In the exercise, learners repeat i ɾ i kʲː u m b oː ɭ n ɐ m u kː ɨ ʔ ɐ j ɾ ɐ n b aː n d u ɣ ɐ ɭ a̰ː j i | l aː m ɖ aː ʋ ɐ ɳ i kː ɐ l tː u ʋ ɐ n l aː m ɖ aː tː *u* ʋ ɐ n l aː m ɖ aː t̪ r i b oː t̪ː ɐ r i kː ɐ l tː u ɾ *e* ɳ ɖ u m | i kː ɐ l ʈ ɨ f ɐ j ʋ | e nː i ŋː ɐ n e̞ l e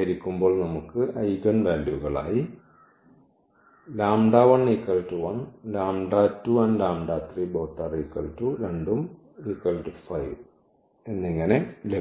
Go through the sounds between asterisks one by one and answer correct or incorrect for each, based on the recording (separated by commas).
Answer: correct, correct